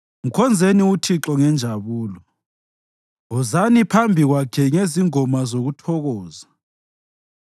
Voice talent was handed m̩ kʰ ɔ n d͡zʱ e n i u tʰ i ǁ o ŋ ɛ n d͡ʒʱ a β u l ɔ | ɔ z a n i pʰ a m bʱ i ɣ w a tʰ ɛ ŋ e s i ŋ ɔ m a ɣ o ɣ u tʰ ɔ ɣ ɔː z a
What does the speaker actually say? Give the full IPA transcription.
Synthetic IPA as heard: m̩ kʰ ɔ n d͡zʱ e n i u tʰ i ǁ ɔ ŋ ɛ n d͡ʒʱ a β uː l ɔ | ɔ z a n i pʰ a m bʱ i ɣ w a kʰ ɛ ŋ e z i ŋ ɔ m a z o ɣ u tʰ ɔ ɣ ɔː z a